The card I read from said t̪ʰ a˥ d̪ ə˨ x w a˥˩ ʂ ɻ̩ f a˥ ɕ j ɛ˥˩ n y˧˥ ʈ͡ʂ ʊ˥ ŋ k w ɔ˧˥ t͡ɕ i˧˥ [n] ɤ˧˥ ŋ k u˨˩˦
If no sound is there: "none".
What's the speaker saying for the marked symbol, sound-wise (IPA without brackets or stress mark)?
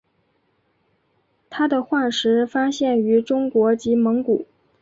m